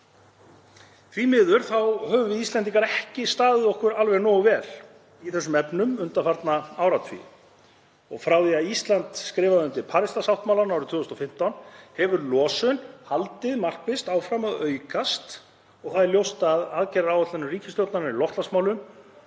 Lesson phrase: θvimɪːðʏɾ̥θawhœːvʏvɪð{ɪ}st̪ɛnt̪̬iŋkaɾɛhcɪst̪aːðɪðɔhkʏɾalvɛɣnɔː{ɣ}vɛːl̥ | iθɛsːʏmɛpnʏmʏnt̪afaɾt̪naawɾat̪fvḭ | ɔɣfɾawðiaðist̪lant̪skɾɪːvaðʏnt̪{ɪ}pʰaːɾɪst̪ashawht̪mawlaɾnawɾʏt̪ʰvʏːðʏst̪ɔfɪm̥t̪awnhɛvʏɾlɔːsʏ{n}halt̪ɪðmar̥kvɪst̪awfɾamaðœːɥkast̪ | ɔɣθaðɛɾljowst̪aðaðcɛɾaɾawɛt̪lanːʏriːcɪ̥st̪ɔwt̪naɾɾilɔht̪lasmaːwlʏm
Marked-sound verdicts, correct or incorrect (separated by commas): incorrect, correct, correct, correct